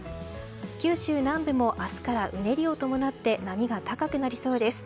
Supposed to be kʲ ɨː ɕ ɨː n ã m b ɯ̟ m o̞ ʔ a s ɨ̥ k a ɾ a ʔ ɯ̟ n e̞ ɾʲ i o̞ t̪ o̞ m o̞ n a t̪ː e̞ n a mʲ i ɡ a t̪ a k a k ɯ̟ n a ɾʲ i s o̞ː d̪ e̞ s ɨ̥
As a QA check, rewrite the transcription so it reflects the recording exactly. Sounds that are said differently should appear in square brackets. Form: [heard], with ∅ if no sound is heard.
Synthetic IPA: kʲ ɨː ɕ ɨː n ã m b ɯ̟ m o̞ ʔ a s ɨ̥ k a ɾ a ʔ ɯ̟ n e̞ ɾʲ i o̞ t̪ o̞ m o̞ n a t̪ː e̞ n a mʲ i ɡ a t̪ a k a k ɯ̟ n a ɾʲ i s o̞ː d̪ e̞ s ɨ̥